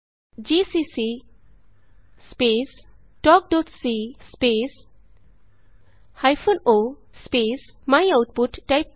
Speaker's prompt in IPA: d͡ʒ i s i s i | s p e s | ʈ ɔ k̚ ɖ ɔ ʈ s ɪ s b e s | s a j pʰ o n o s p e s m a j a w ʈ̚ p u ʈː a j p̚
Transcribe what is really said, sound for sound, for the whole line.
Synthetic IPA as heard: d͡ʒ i s i s i | s p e s | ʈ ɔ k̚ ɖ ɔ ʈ s i s p e s | h a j pʰ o n o s p e s m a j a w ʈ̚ p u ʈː a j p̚